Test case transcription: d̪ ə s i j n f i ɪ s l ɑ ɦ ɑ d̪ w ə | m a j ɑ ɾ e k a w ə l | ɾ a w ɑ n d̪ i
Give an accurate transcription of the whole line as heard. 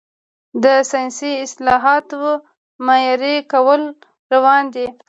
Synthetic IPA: d̪ ə s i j n s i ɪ s l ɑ ɦ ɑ t̪ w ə | m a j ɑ ɾ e k a w ə l | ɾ a w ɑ n d̪ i